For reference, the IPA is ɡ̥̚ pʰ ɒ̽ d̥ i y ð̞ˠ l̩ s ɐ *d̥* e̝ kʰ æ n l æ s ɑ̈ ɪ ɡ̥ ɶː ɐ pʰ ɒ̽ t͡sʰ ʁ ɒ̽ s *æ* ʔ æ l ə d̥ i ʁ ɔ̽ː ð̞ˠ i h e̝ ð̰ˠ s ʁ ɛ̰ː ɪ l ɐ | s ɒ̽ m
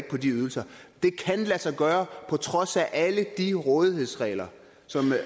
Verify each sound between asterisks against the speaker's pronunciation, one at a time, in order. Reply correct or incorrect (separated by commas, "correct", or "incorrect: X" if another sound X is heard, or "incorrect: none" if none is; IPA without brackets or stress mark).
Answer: correct, correct